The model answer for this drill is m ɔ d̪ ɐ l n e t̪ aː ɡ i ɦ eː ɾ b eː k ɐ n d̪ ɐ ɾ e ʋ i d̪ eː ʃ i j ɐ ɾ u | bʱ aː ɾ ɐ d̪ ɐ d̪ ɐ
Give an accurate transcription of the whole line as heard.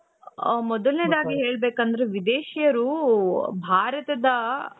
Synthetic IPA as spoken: m ɔ d̪ ɐ l n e d̪ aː ɡ i ɦ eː ɭ b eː k ɐ n d̪ ɐ ɾ e ʋ i d̪ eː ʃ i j ɐ ɾ u | bʱ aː ɾ ɐ t̪ ɐ d̪ ɐ